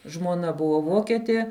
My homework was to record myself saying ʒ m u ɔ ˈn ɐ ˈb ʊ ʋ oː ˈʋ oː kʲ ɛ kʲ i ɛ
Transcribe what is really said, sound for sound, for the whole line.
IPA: ʒ m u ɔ ˈn ɐ ˈb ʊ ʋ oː ˈʋ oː kʲ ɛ tʲ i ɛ